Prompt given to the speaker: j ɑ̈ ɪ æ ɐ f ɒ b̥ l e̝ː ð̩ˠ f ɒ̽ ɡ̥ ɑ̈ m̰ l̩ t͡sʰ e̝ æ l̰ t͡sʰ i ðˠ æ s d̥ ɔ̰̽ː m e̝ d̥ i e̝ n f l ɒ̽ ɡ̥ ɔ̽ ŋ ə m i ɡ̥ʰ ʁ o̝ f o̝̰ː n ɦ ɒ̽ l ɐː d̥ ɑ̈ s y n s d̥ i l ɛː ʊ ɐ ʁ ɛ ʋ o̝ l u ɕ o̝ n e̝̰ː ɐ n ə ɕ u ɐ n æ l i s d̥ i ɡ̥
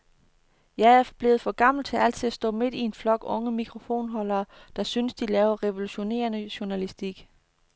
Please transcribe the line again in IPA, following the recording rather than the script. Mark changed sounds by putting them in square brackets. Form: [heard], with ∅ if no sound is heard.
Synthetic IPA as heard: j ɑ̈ ɪ æ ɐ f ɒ b̥ l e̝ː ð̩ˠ f ɒ̽ ɡ̥ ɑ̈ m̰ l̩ t͡sʰ e̝ æ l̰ t͡sʰ i ðˠ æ s d̥ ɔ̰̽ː m e̝ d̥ i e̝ n f l ɒ̽ ɡ̥ ɔ̽ ŋ ə m i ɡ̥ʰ ʁ o̝ f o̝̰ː n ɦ ɒ̽ l ɐː d̥ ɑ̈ s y n s d̥ i l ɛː ʊ ɐ ʁ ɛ ʋ o̝ l u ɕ o̝ n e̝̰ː ɐ n ə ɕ u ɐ n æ l i s d̥ i ɡ̥